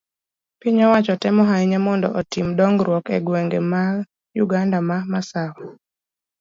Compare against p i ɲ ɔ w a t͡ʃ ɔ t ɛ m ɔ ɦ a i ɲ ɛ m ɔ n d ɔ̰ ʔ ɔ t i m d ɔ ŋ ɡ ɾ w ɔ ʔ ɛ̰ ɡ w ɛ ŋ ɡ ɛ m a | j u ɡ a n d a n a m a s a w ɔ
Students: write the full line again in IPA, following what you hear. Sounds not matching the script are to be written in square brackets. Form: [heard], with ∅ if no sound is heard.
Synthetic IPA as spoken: p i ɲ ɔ w a t͡ʃ ɔ t ɛ m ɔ ɦ a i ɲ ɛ m ɔ n d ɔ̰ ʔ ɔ t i m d ɔ ŋ ɡ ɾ w ɔ [k] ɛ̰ ɡ w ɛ ŋ ɡ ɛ m a | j u ɡ a n d a [m] a m a s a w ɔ